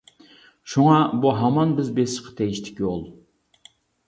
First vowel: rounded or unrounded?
rounded